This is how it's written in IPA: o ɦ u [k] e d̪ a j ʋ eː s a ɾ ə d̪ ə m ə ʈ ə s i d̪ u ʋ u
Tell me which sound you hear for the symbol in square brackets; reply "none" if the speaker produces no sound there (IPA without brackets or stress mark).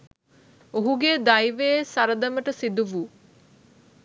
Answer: ɡ